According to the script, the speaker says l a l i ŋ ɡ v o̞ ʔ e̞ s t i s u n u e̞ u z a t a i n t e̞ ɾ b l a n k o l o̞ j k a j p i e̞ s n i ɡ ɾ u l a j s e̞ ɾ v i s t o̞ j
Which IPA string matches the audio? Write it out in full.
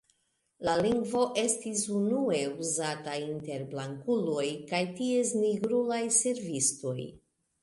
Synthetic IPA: l a l i ŋ ɡ v o̞ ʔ e̞ s t i s u n u e̞ u z a t a i n t e̞ ɾ b l a ŋ k u l o̞ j k a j t i e̞ s n i ɡ ɾ u l a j s e̞ ɾ v i s t o̞ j